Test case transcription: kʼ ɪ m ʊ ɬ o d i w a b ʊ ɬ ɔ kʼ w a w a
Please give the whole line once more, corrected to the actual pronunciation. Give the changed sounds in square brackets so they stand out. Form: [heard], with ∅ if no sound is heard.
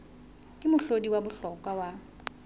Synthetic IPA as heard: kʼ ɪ m ʊ ɬ o d i w a b ʊ ɬ ɔ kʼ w a w a

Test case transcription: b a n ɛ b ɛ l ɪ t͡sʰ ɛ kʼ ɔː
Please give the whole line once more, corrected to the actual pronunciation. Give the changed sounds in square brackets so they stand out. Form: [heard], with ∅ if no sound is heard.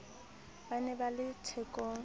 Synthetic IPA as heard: b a n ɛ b [a] l ɪ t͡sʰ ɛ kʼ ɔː

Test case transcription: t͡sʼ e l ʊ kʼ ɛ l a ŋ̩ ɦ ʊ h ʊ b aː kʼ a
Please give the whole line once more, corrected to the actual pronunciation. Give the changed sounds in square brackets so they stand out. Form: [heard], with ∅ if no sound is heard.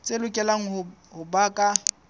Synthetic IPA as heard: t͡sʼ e l ʊ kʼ ɛ l a ŋ̩ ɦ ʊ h ʊ b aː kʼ a

